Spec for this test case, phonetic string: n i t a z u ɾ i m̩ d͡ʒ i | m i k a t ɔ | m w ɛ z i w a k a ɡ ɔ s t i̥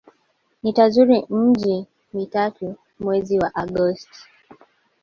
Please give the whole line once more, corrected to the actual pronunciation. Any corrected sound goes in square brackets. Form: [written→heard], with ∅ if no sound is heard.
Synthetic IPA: n i t a z u ɾ i m̩ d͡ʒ i | m i [k→t] a t [ɔ→u] | m w ɛ z i w a [k→ʔ] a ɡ ɔ s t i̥